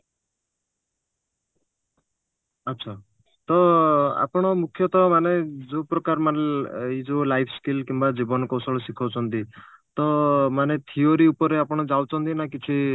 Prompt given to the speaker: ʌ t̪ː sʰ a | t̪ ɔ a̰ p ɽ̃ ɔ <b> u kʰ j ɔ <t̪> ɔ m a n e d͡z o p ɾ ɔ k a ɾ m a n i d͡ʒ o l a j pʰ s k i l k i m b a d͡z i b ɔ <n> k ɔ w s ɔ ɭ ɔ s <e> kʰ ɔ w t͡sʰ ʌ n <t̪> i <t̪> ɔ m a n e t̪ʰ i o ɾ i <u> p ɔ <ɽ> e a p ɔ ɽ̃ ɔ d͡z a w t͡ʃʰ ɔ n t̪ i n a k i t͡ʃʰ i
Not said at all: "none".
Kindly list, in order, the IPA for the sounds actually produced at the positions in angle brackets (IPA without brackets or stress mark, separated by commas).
m, t̪, n, i, t̪, t̪, u, ɾ